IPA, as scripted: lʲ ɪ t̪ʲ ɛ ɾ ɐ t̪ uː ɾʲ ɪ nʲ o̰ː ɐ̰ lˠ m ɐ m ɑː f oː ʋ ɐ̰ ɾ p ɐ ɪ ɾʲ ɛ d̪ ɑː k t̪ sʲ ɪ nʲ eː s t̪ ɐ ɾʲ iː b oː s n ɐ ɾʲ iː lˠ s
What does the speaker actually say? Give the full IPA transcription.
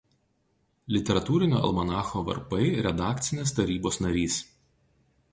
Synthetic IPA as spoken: lʲ ɪ t̪ʲ ɛ ɾ ɐ t̪ uː ɾʲ ɪ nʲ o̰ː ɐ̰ lˠ m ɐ n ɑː x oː ʋ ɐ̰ ɾ p ɐ ɪ ɾʲ ɛ d̪ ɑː k t̪ sʲ ɪ nʲ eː s t̪ ɐ ɾʲ iː b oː s n ɐ ɾʲ iː s